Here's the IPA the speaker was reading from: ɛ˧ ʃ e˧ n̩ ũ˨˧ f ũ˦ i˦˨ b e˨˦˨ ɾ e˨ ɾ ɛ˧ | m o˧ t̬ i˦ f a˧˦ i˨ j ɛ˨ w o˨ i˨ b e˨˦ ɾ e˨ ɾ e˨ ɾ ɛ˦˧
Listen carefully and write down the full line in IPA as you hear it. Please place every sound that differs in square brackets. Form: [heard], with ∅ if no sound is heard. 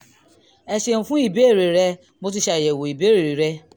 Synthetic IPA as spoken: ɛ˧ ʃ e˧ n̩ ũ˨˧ f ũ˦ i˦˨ b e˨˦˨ ɾ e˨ ɾ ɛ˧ | m o˧ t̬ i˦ [ʃ] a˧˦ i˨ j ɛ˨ w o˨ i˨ b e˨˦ ɾ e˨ ɾ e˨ ɾ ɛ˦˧